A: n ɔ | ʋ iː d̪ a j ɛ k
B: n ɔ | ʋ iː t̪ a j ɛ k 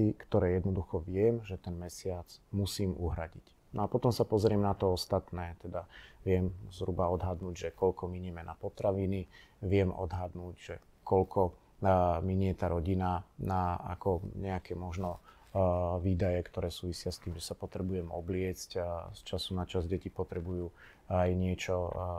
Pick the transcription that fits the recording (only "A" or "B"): A